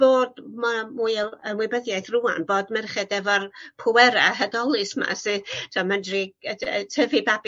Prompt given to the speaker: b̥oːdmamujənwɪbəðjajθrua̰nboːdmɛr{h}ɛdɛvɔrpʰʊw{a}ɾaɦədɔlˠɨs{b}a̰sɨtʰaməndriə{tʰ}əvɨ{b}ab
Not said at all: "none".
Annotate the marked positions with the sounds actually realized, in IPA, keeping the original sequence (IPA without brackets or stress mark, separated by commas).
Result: χ, ɛ, m, tʰ, b